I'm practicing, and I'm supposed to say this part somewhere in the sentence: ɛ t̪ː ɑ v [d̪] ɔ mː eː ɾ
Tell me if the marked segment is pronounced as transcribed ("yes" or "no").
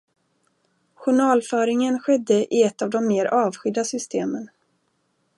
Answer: yes